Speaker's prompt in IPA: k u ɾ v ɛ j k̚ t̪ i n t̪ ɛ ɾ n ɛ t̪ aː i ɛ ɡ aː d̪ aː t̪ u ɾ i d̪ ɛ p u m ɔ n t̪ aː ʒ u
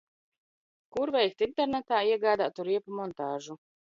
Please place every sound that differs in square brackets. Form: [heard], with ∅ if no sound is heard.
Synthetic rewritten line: k u ɾ v ɛ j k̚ t̪ i n t̪ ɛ ɾ n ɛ t̪ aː i ɛ ɡ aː d̪ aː t̪ u ɾ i [∅] ɛ p u m ɔ n t̪ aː ʒ u